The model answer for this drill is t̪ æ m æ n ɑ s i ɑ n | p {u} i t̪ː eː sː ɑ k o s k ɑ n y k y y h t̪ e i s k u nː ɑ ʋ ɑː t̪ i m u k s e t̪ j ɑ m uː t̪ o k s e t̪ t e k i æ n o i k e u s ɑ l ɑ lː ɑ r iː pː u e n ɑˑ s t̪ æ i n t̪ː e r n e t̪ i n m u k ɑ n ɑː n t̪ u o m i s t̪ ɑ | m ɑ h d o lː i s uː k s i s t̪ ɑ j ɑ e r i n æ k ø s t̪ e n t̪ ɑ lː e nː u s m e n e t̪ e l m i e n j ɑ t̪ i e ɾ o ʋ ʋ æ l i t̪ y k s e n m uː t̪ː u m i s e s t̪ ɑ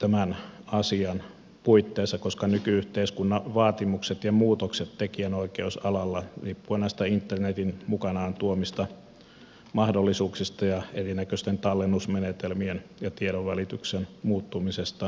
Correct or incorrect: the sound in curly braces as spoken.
correct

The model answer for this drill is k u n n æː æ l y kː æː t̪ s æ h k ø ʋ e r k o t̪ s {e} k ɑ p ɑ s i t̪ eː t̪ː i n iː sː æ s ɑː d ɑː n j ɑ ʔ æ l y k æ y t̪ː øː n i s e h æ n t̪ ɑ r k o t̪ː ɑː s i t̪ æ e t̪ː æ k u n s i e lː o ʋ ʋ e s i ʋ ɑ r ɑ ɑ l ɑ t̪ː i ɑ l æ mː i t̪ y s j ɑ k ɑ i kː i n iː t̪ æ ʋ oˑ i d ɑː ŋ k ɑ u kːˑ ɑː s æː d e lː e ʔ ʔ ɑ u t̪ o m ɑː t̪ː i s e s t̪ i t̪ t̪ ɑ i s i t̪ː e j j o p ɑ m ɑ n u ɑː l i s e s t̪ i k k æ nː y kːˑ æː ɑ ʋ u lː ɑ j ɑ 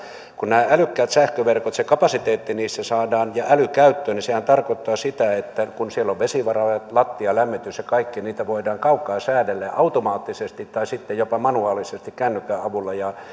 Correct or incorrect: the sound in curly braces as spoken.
correct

